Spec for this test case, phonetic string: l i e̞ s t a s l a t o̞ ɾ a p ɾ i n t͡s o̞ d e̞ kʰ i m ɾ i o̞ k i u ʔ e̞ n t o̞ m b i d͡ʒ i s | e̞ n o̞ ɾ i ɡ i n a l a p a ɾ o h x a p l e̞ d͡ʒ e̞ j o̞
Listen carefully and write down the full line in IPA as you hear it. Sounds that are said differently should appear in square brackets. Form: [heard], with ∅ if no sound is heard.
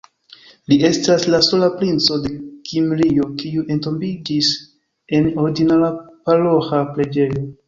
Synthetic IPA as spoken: l i e̞ s t a s l a [s] o̞ [l] a p ɾ i n t͡s o̞ d e̞ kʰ i m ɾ i o̞ k i u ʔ e̞ n t o̞ m b i d͡ʒ i s | e̞ n o̞ ɾ i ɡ i n a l a p a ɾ o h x a p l e̞ d͡ʒ e̞ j o̞